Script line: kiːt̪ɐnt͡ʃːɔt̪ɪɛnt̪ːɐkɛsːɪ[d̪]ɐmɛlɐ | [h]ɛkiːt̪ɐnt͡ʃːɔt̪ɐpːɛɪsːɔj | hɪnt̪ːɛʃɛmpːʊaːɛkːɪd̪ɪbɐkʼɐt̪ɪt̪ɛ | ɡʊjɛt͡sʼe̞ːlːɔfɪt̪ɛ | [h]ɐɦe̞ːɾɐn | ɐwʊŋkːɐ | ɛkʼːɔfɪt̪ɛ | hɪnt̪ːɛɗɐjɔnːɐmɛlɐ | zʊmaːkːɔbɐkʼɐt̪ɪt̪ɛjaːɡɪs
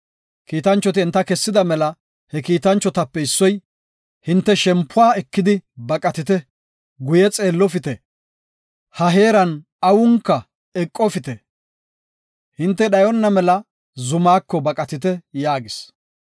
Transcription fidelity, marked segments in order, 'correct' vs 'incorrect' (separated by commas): correct, correct, correct